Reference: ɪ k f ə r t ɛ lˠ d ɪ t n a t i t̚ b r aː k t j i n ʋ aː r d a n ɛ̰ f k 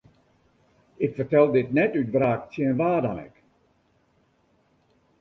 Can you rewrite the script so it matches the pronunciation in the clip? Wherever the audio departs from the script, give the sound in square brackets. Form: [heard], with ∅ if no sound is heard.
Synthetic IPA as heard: ɪ k f ə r t ɛ lˠ d ɪ t n [ɛ] t [y] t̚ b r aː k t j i n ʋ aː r d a n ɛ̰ [∅] k

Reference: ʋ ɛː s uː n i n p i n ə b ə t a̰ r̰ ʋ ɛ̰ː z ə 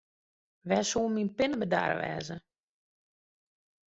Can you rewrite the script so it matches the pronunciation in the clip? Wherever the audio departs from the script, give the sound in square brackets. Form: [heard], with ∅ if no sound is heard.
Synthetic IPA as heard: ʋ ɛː s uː [m] i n p [ɪ] n ə b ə [d] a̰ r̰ ʋ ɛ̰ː z ə

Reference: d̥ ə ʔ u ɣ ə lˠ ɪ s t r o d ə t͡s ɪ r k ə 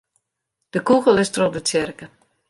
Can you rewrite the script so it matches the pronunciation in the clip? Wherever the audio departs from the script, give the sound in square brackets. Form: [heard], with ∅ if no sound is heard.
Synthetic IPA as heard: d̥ ə [k] u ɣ ə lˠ ɪ s t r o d ə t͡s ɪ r k ə

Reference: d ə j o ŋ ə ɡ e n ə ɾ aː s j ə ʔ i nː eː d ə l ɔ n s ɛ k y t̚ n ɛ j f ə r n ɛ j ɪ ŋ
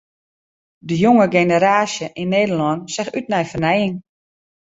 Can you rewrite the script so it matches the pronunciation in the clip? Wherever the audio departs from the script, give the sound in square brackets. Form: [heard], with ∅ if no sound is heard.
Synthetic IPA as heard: d ə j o ŋ ə ɡ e n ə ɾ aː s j ə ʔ i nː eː d ə l ɔ n s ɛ [x] y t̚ n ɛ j f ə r n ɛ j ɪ ŋ

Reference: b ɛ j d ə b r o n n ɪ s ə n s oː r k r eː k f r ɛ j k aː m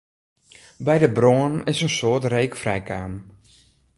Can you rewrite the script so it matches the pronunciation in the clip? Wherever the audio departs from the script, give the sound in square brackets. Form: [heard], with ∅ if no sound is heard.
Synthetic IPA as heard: b ɛ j d ə b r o n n ɪ s ə n s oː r [t] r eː k f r ɛ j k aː m

